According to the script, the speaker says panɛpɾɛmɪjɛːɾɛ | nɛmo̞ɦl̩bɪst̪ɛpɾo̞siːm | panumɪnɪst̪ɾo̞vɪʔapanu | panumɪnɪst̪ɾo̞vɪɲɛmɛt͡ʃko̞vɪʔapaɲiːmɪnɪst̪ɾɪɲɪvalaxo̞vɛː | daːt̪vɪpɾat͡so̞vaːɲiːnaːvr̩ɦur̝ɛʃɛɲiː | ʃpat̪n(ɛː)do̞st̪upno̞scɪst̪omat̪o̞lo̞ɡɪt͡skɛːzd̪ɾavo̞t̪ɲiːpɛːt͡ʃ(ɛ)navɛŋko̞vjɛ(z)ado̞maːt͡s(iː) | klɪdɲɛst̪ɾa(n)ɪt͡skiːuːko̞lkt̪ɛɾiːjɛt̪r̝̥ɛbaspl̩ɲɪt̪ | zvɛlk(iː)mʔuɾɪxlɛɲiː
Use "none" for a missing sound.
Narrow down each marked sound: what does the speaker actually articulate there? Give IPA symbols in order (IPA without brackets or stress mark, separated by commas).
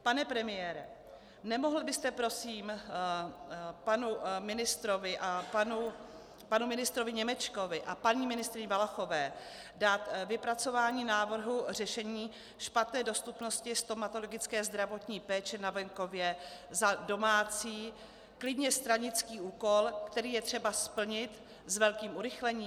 ɛː, ɛ, z, iː, ɲ, iː